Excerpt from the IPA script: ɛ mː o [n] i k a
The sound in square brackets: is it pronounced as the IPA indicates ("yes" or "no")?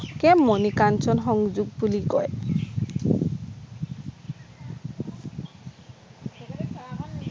yes